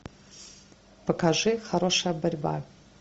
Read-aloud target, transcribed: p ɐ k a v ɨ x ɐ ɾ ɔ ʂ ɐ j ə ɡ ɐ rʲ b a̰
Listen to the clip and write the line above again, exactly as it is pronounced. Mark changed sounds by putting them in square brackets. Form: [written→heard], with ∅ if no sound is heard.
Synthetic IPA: p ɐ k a [v→ʐ] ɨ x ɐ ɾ [ɔ→o] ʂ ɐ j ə [ɡ→b] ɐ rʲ b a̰